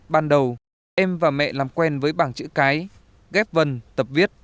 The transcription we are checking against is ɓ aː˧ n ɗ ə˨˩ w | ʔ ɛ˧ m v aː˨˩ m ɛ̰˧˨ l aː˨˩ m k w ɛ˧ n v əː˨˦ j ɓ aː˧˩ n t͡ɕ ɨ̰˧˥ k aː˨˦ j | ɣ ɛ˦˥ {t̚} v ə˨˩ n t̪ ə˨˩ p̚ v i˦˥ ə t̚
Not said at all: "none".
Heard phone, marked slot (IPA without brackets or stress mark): p̚